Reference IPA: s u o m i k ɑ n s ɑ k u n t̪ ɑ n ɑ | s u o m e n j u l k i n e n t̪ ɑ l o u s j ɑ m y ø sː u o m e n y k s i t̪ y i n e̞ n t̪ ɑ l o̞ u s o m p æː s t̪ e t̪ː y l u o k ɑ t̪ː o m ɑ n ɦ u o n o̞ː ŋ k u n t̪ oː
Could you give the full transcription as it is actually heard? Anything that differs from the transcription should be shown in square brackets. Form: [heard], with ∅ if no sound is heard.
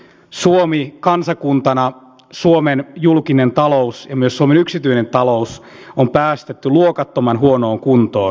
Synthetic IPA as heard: s u o m i k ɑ n s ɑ k u n t̪ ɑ n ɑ | s u o m e n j u l k i n e n t̪ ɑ l o u s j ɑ m y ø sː u o m e n y k s i t̪ y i n e̞ n t̪ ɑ l o̞ u s o m p æː s t̪ e t̪ː y l u o k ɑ t̪ː o m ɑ n ɦ u o n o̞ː ŋ k u n t̪ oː